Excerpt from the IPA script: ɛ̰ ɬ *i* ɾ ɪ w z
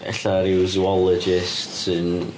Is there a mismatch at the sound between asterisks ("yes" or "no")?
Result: yes